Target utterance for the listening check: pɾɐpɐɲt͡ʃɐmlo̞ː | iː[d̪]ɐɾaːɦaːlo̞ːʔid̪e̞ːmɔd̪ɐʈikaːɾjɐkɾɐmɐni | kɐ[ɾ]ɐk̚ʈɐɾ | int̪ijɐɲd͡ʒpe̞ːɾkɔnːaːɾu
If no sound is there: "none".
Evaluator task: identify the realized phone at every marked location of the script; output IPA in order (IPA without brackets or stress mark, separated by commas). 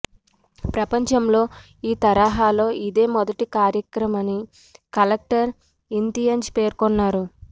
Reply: t̪, l